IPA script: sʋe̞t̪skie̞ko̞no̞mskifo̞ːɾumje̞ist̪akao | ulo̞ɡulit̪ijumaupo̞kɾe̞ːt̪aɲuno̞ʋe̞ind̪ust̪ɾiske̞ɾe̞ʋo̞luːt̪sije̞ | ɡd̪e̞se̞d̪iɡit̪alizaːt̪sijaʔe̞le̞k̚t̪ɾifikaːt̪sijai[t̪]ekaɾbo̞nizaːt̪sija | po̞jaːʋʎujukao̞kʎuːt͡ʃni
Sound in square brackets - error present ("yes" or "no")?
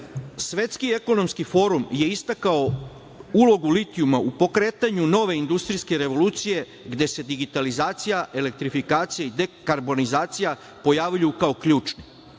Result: yes